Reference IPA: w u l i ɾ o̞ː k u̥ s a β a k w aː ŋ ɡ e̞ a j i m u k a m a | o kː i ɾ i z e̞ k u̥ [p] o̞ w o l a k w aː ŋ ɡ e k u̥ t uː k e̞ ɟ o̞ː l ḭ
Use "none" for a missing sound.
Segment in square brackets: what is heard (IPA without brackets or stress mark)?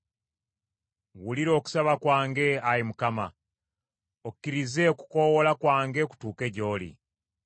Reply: k